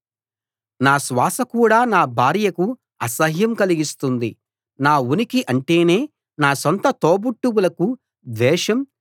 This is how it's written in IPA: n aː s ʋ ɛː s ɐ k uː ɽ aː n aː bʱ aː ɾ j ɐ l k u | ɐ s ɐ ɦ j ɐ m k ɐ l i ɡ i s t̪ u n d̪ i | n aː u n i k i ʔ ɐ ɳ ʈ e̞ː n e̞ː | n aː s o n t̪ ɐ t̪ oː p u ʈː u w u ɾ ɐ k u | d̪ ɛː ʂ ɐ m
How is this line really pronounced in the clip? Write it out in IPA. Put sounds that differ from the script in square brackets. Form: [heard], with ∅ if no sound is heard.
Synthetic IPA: n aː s ʋ [aː] s ɐ k uː ɽ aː n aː bʱ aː ɾ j ɐ [∅] k u | ɐ s ɐ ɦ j ɐ m k ɐ l i ɡ i s t̪ u n d̪ i | n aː u n i k i ʔ ɐ ɳ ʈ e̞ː n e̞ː | n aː s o n t̪ ɐ t̪ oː [b] u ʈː u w u [l] ɐ k u | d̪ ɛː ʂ ɐ m